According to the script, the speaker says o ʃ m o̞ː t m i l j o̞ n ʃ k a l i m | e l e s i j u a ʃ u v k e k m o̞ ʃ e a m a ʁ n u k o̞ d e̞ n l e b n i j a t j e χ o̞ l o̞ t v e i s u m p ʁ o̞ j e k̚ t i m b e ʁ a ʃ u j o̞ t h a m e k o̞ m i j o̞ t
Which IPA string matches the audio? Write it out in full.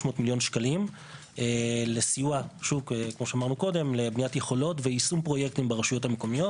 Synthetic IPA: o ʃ m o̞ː t m i l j o̞ n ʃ k a l i m | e l e s i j u a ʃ u v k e k m o̞ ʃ e a m a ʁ n u k o̞ d e̞ m l e b n i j a t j e χ o̞ l o̞ t v e i s u m p ʁ o̞ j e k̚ t i m b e ʁ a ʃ u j o̞ t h a m e k o̞ m i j o̞ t

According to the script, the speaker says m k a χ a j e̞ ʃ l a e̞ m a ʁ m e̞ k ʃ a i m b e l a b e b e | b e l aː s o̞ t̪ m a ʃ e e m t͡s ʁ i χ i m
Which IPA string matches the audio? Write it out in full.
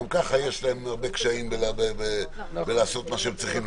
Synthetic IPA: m k a χ a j e̞ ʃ l a e̞ m a ʁ b e̞ k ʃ a i m b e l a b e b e | b e l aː s o̞ t̪ m a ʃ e e m t͡s ʁ i χ i m

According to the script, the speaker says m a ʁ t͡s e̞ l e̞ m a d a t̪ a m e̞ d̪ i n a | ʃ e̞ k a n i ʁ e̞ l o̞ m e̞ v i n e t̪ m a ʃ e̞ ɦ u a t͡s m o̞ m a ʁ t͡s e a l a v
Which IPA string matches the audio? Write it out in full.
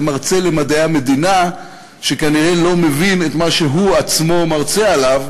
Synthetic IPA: m a ʁ t͡s e̞ l e̞ m a d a a m e̞ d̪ i n a | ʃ e̞ k a n i ʁ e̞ l o̞ m e̞ v i n e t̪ m a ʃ e̞ ɦ u a t͡s m o̞ m a ʁ t͡s e a l a v

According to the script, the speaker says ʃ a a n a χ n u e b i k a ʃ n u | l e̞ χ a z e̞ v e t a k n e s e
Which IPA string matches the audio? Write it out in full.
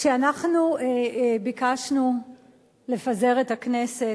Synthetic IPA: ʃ e a n a χ n u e b i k a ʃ n u | l e̞ f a z e̞ ʁ e t a k n e s e

